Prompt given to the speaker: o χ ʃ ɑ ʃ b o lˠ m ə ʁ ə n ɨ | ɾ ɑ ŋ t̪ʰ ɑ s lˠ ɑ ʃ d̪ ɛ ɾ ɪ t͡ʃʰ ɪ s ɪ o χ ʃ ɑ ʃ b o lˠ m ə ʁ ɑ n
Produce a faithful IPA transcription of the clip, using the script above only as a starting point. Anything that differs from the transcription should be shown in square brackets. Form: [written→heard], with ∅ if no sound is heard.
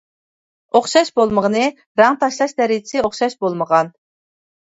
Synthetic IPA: o χ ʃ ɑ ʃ b o lˠ m ə ʁ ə n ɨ | ɾ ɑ ŋ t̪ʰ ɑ [s→ʃ] lˠ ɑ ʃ d̪ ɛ ɾ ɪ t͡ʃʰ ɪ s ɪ o χ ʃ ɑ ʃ b o lˠ m ə ʁ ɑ n